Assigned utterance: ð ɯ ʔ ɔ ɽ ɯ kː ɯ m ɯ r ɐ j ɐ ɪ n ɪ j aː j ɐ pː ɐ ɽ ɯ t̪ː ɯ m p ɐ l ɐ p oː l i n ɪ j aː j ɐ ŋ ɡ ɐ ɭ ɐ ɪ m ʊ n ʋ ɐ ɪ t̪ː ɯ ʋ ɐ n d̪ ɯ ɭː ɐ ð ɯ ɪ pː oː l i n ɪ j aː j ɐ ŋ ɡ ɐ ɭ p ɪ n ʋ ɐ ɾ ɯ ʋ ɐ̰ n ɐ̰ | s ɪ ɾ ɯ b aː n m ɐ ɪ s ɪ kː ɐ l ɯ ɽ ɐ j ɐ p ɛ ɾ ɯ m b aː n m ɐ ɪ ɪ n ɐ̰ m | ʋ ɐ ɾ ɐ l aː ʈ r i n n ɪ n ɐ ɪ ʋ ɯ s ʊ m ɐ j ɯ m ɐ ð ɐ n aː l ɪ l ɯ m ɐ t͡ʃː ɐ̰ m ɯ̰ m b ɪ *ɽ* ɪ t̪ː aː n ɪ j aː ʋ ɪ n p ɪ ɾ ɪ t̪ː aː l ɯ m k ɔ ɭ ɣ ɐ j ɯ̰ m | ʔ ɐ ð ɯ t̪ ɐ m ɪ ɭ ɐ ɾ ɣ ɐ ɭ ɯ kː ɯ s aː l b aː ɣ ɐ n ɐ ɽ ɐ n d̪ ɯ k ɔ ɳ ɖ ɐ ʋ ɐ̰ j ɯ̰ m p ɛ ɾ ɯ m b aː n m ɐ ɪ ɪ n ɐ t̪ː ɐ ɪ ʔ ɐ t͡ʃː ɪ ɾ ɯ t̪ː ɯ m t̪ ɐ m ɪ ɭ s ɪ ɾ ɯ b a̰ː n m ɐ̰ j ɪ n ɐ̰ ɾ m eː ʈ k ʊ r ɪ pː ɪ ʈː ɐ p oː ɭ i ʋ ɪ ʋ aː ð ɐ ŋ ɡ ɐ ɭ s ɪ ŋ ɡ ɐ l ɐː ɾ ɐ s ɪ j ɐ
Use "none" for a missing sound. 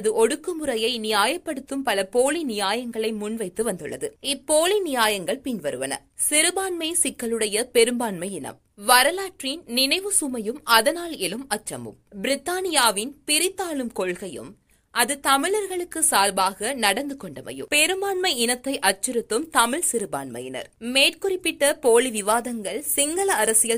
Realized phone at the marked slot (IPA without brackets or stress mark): ɾ